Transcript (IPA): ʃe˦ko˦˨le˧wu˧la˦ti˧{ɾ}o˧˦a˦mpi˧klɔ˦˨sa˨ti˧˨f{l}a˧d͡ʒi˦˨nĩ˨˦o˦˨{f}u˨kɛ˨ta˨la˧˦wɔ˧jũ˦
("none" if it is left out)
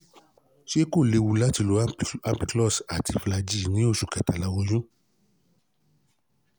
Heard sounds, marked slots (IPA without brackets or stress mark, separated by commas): l, l, ʃ